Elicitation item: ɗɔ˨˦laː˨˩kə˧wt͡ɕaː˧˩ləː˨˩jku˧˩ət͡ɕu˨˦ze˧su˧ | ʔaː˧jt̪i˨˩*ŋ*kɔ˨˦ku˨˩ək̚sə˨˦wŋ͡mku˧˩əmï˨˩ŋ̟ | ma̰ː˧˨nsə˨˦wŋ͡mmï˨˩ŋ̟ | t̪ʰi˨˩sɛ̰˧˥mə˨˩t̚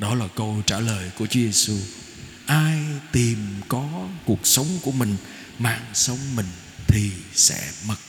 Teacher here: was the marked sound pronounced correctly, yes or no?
no